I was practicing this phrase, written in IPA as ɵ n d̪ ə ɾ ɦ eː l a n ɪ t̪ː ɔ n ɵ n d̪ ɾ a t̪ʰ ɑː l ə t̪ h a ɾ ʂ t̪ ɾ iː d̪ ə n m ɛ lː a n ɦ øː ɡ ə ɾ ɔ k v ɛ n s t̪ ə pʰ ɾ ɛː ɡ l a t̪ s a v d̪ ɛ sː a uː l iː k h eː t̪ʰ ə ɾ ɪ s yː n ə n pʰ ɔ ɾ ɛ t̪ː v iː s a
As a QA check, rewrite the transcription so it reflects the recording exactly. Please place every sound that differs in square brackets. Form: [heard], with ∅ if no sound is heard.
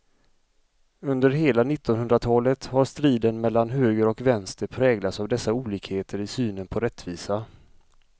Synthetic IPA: ɵ n d̪ ə ɾ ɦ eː l a n ɪ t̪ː ɔ n ɵ n d̪ ɾ a t̪ʰ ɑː l ə t̪ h a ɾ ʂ t̪ ɾ iː d̪ ə n m ɛ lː a n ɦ øː ɡ ə ɾ ɔ k v ɛ n s t̪ ə pʰ ɾ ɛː ɡ l a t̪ s a v d̪ ɛ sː a uː l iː k h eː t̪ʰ ə ɾ ɪ s yː n ə n pʰ ɔ ɾ ɛ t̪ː v iː s a